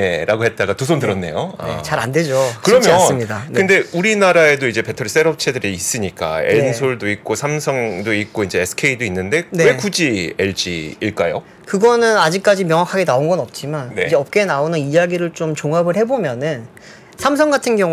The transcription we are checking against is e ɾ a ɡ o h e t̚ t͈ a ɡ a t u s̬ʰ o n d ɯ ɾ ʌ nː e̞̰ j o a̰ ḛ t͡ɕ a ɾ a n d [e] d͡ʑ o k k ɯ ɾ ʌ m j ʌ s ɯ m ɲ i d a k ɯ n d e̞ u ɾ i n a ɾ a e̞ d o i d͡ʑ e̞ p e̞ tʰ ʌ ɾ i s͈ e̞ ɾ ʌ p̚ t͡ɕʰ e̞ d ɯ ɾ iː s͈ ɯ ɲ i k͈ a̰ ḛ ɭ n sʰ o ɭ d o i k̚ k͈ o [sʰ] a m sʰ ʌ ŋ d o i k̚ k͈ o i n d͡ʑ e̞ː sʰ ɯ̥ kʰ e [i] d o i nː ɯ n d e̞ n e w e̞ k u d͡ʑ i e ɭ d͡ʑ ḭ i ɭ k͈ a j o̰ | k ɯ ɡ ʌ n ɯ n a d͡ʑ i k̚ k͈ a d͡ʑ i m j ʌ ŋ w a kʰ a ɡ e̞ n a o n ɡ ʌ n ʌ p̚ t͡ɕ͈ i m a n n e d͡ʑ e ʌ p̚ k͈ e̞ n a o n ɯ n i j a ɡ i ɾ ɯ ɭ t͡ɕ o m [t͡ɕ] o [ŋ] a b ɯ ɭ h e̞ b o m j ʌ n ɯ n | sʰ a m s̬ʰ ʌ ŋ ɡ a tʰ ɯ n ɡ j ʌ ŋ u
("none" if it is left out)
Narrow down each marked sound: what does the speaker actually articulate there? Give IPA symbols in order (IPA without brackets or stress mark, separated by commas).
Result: e, sʰ, i, t͡ɕ, ŋ